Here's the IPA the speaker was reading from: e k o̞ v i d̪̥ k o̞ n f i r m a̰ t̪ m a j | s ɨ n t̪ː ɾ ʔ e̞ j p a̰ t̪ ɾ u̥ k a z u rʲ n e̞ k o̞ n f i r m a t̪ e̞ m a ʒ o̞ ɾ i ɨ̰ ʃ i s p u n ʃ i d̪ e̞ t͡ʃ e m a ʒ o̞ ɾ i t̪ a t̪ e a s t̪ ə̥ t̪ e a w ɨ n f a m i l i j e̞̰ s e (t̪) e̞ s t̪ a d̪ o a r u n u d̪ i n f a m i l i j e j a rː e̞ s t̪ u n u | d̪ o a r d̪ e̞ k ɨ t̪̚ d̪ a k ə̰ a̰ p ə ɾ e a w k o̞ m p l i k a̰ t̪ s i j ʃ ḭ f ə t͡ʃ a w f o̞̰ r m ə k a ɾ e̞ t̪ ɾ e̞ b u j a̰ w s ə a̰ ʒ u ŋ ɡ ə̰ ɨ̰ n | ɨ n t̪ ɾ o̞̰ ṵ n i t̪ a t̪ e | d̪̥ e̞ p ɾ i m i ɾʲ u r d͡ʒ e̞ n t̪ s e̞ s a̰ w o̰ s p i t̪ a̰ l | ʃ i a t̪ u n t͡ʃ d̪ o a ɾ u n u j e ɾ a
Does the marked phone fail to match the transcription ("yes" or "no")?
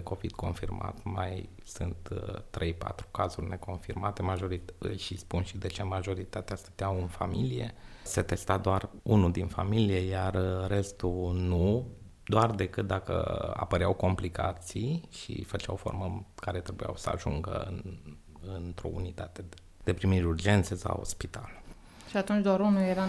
no